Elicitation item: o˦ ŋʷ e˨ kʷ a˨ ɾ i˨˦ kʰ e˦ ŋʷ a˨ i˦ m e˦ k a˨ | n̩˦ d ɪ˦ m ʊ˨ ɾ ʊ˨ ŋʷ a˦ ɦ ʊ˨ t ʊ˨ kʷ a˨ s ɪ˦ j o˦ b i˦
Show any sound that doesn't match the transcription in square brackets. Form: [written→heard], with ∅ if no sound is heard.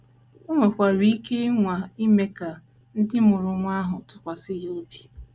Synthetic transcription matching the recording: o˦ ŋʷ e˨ kʷ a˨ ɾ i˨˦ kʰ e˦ ŋʷ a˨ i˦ m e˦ k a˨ | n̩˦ d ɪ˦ m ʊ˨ ɾ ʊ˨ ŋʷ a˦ ɦ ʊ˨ t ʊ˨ kʷ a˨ s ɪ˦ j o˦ b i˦